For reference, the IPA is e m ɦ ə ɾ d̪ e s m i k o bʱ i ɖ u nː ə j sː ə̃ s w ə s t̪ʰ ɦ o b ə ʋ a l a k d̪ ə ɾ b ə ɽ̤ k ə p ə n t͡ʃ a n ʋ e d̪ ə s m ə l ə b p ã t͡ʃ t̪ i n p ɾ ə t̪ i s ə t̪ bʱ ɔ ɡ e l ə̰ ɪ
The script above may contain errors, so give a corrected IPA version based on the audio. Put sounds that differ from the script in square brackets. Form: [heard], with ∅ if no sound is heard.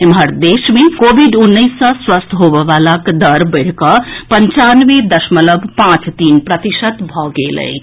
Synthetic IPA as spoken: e m ɦ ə ɾ d̪ e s m [e] k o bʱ i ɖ u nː ə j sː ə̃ s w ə s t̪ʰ ɦ o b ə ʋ a l a k d̪ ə ɾ b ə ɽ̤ k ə p ə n t͡ʃ a n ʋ e d̪ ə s m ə l ə b p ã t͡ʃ t̪ i n p ɾ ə t̪ i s ə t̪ bʱ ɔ ɡ e l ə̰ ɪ